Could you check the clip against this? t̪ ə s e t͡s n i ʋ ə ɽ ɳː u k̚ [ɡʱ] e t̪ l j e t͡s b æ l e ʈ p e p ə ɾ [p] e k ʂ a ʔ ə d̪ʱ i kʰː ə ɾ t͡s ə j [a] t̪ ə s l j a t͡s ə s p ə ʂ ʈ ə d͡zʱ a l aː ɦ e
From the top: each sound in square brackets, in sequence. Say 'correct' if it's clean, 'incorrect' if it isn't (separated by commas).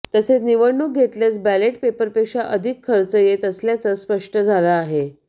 correct, correct, incorrect